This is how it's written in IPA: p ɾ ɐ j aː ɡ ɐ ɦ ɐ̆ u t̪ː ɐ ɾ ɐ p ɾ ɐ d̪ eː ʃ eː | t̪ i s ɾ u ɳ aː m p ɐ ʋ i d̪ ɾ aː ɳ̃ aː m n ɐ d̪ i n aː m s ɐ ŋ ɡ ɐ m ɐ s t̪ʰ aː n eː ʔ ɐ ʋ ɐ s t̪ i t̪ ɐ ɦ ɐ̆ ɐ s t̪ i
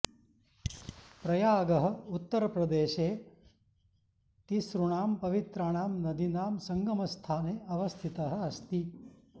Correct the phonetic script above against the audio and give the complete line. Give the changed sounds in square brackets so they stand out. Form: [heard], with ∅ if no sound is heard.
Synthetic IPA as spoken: p ɾ ɐ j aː ɡ ɐ ɦ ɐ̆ u t̪ː ɐ ɾ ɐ p ɾ ɐ d̪ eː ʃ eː | t̪ i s ɾ u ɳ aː m p ɐ ʋ i [t̪] ɾ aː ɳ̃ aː m n ɐ d̪ i n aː m s ɐ ŋ ɡ ɐ m ɐ s t̪ʰ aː n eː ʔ ɐ ʋ ɐ s [t̪ʰ] i t̪ ɐ ɦ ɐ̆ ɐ s t̪ i